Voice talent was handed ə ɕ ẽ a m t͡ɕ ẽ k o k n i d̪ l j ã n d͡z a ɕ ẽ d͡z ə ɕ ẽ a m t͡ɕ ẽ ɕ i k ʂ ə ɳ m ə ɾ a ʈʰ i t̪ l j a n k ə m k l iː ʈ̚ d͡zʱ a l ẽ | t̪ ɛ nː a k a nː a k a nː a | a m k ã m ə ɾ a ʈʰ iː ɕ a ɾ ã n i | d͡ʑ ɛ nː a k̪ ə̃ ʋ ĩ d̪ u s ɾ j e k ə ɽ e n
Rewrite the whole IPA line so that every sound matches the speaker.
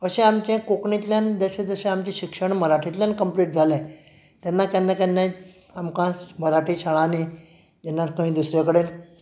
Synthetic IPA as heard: ə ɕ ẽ a m t͡ɕ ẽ k o k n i t̪ l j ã n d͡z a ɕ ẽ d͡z ə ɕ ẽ a m t͡ɕ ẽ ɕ i k ʂ ə ɳ m ə ɾ a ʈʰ i t̪ l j a n k ə m p l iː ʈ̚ d͡zʱ a l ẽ | t̪ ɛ nː a k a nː a k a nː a | a m k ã m ə ɾ a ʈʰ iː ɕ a ɭ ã n i | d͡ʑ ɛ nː a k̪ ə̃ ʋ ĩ d̪ u s ɾ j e k ə ɽ e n